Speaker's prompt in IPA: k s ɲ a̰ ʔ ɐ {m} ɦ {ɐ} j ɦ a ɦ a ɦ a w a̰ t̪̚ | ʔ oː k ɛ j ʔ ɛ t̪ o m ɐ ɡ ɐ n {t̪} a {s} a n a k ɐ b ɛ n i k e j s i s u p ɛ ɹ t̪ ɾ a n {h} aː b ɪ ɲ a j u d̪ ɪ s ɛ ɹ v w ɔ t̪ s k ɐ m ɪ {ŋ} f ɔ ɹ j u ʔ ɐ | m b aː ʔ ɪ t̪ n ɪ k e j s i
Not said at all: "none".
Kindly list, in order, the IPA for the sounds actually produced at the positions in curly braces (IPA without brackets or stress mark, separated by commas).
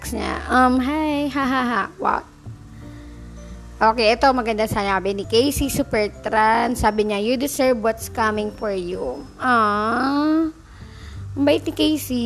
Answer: m, a, d̪, s, s, ŋ